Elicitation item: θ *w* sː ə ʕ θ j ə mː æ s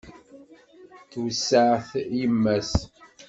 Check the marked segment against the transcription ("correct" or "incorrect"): correct